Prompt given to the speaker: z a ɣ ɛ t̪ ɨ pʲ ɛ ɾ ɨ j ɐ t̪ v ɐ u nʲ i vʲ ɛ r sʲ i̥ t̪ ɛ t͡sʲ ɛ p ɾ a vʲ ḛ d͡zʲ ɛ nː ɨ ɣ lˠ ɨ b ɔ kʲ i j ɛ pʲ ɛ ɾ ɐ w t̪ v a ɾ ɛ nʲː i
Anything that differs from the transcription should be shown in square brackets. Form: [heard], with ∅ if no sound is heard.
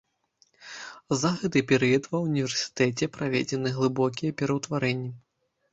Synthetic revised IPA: z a ɣ ɛ t̪ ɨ pʲ ɛ ɾ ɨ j ɐ t̪ v ɐ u nʲ i vʲ ɛ r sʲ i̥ t̪ ɛ t͡sʲ ɛ p ɾ a vʲ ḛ d͡zʲ ɛ [n] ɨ ɣ lˠ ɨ b ɔ kʲ i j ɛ pʲ ɛ ɾ ɐ w t̪ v a ɾ ɛ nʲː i